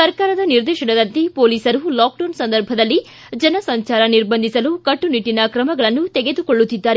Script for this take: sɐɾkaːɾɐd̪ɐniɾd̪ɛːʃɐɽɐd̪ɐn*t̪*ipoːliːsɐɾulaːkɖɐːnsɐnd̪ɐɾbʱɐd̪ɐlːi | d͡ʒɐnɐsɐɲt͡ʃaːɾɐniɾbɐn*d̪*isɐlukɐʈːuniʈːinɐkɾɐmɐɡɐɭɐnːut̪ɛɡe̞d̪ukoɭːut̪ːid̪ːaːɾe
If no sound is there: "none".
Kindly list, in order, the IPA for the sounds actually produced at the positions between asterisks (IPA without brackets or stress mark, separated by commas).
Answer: t̪, d̪